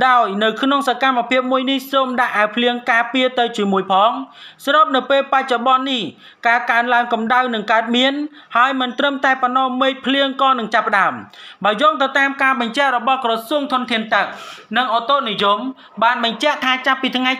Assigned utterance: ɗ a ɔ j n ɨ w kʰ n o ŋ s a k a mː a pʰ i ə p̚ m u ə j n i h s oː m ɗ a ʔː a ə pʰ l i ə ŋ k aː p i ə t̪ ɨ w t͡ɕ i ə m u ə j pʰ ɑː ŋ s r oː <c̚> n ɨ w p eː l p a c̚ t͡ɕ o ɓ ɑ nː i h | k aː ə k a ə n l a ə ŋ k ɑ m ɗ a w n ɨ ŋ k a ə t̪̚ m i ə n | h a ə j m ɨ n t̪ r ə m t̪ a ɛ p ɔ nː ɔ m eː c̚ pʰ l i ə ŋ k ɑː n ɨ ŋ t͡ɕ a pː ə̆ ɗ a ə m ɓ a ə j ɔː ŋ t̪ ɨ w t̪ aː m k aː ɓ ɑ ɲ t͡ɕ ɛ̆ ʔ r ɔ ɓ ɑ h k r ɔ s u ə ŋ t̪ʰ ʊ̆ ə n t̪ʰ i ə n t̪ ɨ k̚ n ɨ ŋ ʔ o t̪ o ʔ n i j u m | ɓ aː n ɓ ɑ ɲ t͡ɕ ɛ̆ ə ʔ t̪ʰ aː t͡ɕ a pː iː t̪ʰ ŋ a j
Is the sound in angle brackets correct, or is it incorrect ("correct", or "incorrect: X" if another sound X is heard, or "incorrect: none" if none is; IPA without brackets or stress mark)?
incorrect: p̚